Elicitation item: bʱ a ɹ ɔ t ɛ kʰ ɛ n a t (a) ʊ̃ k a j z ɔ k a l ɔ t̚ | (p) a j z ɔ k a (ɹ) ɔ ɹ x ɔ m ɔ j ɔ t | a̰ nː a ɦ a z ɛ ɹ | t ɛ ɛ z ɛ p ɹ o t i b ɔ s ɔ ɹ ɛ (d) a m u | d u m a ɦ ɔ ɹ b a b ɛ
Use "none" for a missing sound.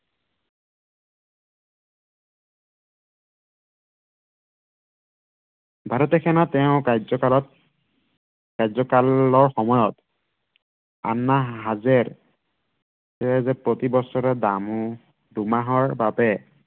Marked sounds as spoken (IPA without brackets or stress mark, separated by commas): ɛ, k, l, d